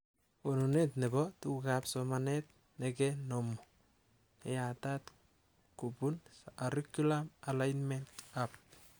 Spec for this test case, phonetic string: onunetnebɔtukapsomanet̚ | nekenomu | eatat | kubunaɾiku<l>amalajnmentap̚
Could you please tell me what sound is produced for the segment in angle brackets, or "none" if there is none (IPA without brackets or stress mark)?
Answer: l